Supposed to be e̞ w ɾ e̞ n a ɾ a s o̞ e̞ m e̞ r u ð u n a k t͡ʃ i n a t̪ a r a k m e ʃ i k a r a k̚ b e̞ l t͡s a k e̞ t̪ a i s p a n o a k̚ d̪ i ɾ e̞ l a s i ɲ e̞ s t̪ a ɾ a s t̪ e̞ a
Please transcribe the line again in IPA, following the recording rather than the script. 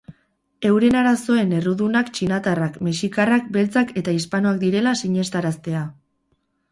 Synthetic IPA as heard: e̞ w ɾ e̞ n a ɾ a s o̞ e̞ n e̞ r u ð u n a k t͡ʃ i n a t̪ a r a k m e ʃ i k a r a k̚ b e̞ l t͡s a k e̞ t̪ a i s p a n o a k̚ d̪ i ɾ e̞ l a s i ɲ e̞ s t̪ a ɾ a s t̪ e̞ a